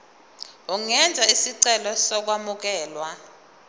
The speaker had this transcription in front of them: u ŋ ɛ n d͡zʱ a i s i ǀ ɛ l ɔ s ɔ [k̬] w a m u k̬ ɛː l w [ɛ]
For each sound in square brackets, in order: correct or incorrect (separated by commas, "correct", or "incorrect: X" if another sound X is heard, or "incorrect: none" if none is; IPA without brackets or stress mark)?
correct, incorrect: a